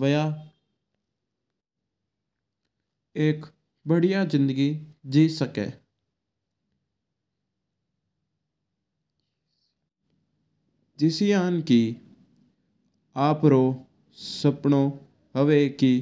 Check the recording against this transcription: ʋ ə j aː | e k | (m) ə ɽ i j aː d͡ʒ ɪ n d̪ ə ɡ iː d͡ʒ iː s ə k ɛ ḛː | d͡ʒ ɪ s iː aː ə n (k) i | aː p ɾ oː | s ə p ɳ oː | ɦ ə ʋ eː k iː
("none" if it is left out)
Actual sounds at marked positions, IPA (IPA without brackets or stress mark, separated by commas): b, k